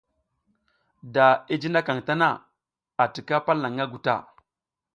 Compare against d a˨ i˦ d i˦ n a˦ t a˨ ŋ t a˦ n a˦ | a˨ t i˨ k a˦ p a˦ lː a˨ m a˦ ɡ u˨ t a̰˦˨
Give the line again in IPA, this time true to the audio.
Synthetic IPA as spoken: d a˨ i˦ d͡ʒ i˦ n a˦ k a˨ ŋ t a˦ n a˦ | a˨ t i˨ k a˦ p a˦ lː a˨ ŋ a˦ ɡ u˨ t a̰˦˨